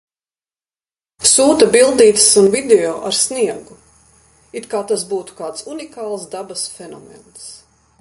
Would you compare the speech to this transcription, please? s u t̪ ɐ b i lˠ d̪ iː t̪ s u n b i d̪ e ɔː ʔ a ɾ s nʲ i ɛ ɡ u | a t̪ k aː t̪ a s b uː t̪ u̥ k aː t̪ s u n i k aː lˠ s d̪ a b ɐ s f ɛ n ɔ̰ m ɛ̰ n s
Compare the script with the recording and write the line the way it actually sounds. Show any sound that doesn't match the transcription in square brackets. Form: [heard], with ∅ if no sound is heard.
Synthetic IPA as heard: s [uː] t̪ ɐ b i lˠ d̪ iː t̪ s u n [v] i d̪ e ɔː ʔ a ɾ s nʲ i ɛ ɡ u | [i] t̪ k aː t̪ a s b uː t̪ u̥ k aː t̪ s u n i k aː lˠ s d̪ a b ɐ s f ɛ n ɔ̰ m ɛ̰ n s